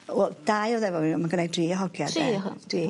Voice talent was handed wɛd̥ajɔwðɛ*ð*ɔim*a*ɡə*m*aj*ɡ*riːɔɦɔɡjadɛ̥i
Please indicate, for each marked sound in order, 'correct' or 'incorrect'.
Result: incorrect: v, correct, incorrect: n, incorrect: d

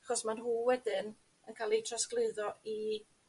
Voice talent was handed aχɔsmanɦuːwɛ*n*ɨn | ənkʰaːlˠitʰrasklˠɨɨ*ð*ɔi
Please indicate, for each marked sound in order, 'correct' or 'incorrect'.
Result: incorrect: d, correct

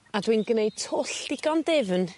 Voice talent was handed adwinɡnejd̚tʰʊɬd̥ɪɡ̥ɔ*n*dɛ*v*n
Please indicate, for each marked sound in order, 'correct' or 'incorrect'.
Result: correct, correct

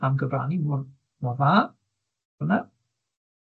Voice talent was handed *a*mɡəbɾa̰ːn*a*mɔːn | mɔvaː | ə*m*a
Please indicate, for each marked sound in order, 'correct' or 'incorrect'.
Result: correct, incorrect: i, incorrect: n

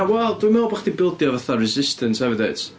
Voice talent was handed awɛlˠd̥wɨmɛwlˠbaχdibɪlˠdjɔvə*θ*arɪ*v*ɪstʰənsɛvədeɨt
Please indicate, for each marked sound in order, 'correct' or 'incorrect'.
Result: correct, incorrect: z

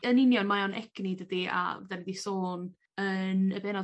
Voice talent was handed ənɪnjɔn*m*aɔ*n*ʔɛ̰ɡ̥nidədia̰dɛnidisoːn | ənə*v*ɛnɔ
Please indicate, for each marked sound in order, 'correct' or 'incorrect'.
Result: correct, correct, incorrect: b

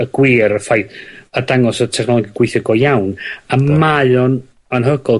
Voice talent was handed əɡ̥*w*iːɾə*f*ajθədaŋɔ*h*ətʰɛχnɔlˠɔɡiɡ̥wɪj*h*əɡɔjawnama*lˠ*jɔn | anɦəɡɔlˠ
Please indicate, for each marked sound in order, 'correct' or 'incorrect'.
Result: correct, correct, incorrect: s, incorrect: θ, incorrect: none

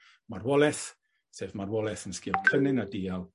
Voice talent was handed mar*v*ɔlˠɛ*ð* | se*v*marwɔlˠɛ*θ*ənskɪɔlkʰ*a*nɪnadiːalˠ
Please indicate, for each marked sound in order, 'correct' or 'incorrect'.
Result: incorrect: w, incorrect: θ, correct, correct, incorrect: ə

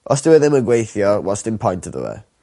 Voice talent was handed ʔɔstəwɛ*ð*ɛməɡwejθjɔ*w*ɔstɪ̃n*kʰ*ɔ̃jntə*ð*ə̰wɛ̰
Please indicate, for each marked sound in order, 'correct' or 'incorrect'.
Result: correct, correct, incorrect: pʰ, correct

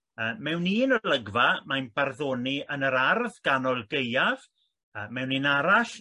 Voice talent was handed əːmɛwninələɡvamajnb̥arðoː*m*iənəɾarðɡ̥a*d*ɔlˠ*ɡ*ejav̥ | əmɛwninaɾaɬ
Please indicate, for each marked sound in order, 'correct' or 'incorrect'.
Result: incorrect: n, incorrect: n, correct

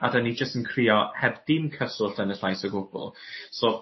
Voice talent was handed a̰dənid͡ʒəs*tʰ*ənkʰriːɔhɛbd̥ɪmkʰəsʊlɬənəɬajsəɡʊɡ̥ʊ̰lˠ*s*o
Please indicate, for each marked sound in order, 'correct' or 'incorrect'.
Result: incorrect: t, correct

